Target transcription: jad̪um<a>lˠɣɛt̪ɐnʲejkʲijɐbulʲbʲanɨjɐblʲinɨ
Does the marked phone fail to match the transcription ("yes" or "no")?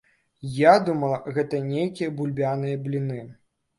yes